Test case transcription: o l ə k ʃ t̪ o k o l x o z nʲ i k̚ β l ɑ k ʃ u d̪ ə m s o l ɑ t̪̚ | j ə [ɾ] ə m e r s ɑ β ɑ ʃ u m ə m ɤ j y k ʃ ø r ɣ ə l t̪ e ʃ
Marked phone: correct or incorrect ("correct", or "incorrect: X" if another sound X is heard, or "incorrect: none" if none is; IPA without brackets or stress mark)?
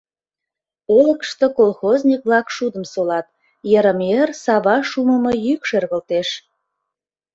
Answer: correct